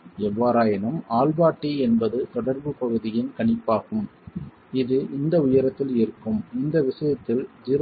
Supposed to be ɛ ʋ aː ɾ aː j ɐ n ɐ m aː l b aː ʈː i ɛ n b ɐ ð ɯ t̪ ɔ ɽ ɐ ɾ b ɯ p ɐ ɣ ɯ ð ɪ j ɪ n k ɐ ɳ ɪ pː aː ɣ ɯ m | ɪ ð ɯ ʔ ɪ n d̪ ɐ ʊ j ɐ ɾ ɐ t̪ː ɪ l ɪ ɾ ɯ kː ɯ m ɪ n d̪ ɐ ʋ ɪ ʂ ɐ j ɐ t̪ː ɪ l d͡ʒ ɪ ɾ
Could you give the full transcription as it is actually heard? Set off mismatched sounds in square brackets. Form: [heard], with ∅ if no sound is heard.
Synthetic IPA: ɛ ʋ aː ɾ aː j ɐ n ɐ m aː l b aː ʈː i ɛ n b ɐ ð ɯ t̪ ɔ ɽ ɐ ɾ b ɯ p ɐ ɣ ɯ ð ɪ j ɪ n k ɐ ɳ ɪ pː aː ɣ ɯ m | ɪ ð ɯ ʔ ɪ n d̪ ɐ ʊ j ɐ ɾ ɐ t̪ː ɪ l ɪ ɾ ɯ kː ɯ m ɪ n d̪ ɐ ʋ ɪ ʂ ɐ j ɐ t̪ː ɪ l d͡ʒ ɪ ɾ

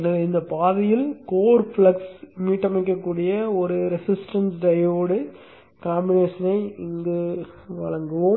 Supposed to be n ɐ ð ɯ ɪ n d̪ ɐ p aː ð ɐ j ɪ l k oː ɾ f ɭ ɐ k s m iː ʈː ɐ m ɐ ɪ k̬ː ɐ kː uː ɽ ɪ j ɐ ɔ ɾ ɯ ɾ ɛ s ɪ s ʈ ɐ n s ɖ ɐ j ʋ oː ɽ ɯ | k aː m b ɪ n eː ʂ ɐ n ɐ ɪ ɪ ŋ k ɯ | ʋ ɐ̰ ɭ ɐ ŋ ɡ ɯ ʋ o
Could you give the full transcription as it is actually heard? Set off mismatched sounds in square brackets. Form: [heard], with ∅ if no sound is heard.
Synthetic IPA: n ɐ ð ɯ ɪ n d̪ ɐ p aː ð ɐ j ɪ l k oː ɾ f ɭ ɐ k s m iː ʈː ɐ m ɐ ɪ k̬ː ɐ kː uː ɽ ɪ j ɐ ɔ ɾ ɯ ɾ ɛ s ɪ s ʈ ɐ n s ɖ ɐ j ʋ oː ɽ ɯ | k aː m b ɪ n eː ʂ ɐ n ɐ ɪ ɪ ŋ [ɡ] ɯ | ʋ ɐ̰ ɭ ɐ ŋ ɡ ɯ ʋ o

